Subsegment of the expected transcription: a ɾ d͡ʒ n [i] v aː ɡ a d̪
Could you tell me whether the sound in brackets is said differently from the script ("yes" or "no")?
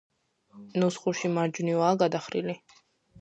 no